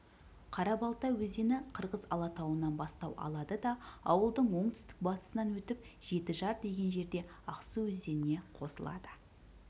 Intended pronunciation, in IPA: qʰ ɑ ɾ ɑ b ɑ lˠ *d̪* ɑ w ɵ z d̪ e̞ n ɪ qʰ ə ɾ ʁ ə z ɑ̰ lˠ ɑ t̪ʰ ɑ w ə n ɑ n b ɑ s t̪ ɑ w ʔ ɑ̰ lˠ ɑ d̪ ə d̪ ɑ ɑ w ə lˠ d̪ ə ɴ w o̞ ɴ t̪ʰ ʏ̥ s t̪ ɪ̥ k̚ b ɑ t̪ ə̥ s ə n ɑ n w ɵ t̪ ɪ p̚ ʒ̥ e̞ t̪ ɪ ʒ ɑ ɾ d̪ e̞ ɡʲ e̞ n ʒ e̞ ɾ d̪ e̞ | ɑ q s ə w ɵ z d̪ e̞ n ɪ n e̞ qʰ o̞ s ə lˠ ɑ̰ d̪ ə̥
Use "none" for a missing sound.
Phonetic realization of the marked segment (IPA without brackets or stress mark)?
t̪